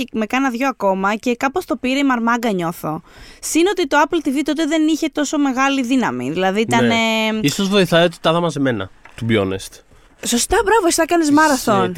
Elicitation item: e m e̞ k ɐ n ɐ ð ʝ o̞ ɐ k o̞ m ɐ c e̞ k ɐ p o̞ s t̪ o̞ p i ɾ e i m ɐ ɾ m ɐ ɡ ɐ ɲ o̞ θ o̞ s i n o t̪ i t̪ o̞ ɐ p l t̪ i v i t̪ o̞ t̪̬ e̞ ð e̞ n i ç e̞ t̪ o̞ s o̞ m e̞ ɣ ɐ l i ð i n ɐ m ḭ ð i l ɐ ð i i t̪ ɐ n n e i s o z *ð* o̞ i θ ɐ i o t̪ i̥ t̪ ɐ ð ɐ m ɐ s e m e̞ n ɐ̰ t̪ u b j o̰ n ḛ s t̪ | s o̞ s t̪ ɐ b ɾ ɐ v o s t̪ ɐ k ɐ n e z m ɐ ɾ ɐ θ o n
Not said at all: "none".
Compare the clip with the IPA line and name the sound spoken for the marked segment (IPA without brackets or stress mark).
v